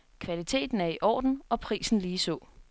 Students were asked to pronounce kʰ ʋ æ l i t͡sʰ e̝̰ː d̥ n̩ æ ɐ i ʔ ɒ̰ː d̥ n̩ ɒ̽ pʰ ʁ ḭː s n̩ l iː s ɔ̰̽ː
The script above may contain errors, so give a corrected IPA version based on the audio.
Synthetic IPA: kʰ ʋ æ l i t͡sʰ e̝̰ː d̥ n̩ æ ɐ i ʔ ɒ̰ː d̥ n̩ ɒ̽ pʰ ʁ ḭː s n̩ l iː s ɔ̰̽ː